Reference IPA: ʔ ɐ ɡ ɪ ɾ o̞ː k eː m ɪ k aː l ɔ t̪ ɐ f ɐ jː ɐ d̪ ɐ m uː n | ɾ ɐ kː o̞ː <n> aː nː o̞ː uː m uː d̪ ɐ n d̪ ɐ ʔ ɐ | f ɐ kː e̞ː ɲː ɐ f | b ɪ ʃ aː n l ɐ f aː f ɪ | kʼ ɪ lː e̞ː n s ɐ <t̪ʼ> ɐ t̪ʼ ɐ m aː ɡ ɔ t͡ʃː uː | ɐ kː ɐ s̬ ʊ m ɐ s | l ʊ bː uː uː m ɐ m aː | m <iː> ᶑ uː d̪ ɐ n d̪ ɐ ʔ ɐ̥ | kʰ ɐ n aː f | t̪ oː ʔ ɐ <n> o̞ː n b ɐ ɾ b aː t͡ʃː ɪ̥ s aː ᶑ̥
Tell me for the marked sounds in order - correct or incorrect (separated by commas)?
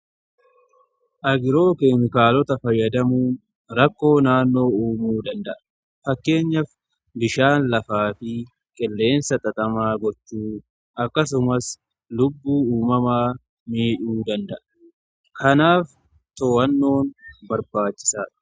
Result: correct, correct, correct, incorrect